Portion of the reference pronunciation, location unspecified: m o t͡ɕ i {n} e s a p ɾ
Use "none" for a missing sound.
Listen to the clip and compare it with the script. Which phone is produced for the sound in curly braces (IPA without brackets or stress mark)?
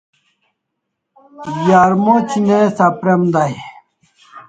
n